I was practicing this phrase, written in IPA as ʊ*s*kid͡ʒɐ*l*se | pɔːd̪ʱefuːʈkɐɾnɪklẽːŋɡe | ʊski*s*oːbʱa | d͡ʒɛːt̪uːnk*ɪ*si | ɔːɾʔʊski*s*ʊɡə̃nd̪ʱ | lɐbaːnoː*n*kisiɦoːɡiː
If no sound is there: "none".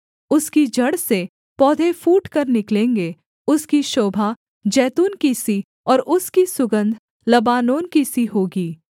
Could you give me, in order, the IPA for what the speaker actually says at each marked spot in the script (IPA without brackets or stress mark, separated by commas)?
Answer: s, ɽ, ʃ, i, s, n